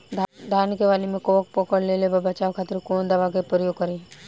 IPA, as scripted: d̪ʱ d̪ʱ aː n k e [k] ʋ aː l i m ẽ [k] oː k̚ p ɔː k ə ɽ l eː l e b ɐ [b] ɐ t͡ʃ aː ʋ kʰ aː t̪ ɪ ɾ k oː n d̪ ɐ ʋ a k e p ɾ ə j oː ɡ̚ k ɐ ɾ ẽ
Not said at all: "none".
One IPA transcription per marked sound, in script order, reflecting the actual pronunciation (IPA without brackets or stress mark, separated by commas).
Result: none, k, b